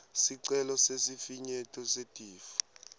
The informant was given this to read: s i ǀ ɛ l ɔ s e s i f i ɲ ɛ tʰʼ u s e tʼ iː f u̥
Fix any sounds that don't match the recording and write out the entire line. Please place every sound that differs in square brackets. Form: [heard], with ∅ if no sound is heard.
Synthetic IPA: s i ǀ ɛ l ɔ s e s i f i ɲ ɛ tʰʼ [ɔ] s e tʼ iː f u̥